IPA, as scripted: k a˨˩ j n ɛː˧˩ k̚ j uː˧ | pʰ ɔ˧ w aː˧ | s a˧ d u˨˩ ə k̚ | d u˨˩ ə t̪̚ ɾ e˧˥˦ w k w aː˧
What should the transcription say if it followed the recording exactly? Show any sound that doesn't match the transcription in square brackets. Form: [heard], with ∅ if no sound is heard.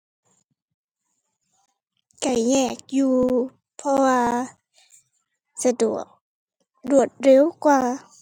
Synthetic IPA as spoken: k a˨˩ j [ɲ] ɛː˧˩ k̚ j uː˧ | pʰ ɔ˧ w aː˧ | s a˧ d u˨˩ ə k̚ | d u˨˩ ə t̪̚ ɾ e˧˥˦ w k w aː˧